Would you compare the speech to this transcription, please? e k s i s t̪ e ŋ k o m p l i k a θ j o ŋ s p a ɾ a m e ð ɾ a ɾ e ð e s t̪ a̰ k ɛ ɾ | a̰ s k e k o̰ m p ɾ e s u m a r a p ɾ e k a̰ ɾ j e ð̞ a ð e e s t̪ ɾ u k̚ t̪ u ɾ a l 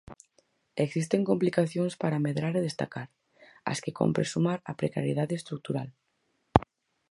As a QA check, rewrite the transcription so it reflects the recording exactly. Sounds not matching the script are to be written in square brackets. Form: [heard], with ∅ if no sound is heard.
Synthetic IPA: e k s i s t̪ e ŋ k o m p l i k a θ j o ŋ s p a ɾ a m e ð ɾ a ɾ e ð e s t̪ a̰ k [a] ɾ | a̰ s k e k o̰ m p ɾ e s u m a [ɾ] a p ɾ e k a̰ ɾ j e ð̞ a ð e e s t̪ ɾ u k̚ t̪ u ɾ a l